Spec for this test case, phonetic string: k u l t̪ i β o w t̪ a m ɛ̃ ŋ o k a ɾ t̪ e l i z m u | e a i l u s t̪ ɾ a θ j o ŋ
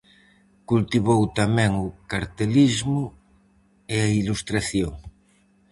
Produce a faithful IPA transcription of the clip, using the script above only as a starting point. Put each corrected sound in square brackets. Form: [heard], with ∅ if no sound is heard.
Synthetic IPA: k u l t̪ i β o w t̪ a m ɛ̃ ŋ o k a ɾ t̪ e l i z m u | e a i l u s t̪ ɾ a θ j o ŋ